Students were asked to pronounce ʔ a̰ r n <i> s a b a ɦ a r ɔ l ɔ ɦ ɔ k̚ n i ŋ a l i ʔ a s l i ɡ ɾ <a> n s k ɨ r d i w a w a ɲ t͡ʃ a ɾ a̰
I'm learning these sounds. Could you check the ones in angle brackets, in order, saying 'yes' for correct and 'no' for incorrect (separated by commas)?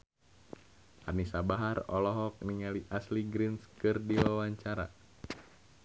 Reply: yes, no